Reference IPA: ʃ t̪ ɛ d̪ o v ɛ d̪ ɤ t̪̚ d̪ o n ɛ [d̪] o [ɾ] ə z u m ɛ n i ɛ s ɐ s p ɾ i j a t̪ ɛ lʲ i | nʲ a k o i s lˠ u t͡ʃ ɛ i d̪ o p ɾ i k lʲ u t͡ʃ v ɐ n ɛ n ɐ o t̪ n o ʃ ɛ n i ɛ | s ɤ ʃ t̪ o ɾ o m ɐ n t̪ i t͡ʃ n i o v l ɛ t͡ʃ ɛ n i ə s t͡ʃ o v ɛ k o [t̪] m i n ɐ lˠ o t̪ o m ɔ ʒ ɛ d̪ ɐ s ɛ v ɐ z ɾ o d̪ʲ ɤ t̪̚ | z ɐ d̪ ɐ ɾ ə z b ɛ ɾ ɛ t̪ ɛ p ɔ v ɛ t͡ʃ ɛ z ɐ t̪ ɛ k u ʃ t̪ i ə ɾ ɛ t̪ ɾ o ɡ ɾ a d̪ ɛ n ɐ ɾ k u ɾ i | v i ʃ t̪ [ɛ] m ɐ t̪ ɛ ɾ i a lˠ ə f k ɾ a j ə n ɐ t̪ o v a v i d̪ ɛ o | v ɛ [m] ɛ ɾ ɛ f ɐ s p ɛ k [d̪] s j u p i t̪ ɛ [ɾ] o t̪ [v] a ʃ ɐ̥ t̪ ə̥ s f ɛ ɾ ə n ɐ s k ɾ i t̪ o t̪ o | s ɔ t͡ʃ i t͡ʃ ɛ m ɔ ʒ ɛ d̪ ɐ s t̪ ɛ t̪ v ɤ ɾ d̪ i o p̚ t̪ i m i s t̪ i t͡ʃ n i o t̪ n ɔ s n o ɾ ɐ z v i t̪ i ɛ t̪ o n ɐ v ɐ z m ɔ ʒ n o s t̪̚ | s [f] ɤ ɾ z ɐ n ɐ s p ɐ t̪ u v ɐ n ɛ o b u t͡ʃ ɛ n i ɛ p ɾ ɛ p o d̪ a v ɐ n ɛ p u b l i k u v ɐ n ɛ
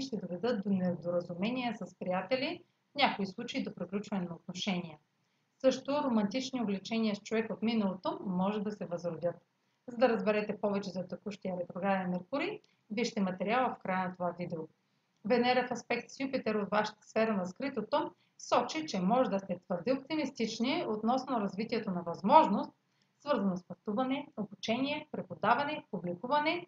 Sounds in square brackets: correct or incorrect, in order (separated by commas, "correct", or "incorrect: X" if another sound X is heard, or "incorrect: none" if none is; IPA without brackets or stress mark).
correct, correct, correct, correct, incorrect: n, incorrect: t̪, correct, correct, incorrect: v